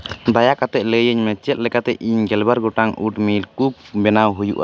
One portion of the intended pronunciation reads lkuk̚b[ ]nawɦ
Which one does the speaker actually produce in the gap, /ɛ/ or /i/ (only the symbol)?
ɛ